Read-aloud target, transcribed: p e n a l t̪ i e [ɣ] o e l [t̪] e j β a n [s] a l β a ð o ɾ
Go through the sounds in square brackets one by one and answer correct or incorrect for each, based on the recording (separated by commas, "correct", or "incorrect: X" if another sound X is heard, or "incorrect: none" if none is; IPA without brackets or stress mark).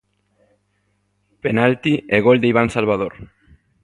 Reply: correct, incorrect: d̪, correct